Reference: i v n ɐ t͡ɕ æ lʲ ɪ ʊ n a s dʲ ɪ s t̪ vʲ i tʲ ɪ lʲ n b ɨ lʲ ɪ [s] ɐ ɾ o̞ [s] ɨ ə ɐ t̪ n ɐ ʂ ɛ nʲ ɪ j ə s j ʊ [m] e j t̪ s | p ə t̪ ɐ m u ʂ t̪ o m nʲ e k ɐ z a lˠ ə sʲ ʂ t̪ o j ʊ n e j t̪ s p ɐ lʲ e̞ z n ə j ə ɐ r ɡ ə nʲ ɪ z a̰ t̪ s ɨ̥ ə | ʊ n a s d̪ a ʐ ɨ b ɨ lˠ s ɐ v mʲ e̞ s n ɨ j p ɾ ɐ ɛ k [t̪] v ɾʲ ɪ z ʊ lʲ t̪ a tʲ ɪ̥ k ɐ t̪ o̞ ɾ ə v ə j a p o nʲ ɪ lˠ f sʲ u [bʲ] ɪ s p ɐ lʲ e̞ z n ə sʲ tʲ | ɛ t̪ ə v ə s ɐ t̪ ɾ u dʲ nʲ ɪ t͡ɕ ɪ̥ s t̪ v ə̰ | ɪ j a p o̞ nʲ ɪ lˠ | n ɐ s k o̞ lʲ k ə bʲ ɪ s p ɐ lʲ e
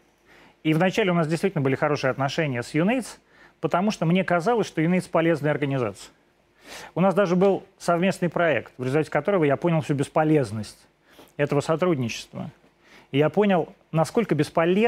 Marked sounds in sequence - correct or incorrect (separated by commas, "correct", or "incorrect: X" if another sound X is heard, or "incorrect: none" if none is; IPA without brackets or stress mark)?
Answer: incorrect: x, incorrect: ʂ, incorrect: n, correct, correct